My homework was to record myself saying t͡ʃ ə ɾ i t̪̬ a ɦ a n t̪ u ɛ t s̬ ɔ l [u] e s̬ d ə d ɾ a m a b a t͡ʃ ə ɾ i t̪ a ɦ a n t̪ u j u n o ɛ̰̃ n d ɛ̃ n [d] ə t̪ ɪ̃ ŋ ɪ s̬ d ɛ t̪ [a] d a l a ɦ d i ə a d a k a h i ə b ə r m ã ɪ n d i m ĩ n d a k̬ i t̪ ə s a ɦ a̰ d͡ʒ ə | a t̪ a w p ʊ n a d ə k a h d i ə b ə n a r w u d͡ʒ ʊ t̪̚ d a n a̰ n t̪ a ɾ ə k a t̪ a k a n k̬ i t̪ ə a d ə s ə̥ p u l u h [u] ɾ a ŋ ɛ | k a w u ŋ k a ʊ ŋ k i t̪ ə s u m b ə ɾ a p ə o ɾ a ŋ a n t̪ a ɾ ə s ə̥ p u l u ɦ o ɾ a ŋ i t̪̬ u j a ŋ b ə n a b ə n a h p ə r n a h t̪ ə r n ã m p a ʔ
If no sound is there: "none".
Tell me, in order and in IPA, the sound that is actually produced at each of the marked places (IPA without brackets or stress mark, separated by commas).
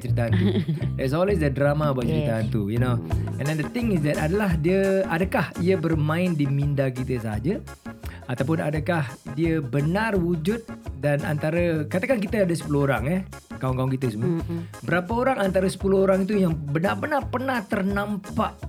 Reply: w, d, a, o